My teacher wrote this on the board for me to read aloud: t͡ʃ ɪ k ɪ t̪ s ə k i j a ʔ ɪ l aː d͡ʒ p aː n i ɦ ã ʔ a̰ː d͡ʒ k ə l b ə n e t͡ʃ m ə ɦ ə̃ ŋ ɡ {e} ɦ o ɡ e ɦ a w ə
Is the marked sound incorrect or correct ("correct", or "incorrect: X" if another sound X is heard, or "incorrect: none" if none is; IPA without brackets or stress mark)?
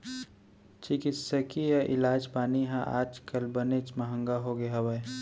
incorrect: a